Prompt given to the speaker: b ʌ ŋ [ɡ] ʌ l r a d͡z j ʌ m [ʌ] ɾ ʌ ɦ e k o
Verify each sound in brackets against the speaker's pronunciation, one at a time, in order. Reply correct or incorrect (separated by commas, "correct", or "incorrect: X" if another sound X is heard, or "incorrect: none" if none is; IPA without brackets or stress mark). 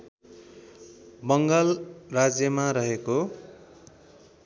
correct, incorrect: a